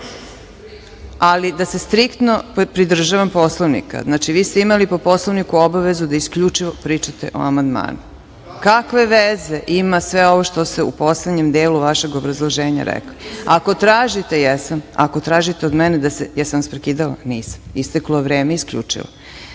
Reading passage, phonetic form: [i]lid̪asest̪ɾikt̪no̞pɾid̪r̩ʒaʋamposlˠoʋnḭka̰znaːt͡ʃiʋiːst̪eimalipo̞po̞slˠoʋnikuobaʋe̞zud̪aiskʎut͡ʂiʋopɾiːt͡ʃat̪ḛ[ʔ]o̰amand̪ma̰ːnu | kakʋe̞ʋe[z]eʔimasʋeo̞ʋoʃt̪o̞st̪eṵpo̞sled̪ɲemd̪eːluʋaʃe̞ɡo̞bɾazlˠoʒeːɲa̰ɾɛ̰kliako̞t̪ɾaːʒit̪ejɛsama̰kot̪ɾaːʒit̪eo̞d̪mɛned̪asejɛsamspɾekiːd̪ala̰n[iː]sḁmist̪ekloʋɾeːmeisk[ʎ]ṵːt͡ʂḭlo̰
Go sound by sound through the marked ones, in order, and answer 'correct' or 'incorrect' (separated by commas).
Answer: incorrect, correct, correct, correct, correct